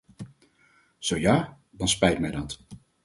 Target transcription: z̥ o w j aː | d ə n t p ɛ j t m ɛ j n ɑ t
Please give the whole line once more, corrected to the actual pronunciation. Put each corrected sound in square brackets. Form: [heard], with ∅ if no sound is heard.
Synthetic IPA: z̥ o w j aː | d [ɑ] n [s] p ɛ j t m ɛ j [d] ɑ t